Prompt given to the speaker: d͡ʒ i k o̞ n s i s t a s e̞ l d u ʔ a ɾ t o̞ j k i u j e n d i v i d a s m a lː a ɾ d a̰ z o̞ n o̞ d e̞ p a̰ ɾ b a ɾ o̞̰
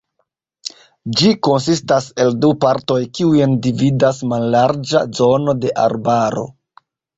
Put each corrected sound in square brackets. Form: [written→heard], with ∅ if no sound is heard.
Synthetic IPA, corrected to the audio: d͡ʒ i k o̞ n s i s t a s e̞ l d u [ʔ→p] a ɾ t o̞ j k i u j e n d i v i d a s m a lː a ɾ [d→d͡ʒ] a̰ z o̞ n o̞ d e̞ [p→ʔ] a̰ ɾ b a ɾ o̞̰